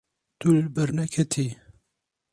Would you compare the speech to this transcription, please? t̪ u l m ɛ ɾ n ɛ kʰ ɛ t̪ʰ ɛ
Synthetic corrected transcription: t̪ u l b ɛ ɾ n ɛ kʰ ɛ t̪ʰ i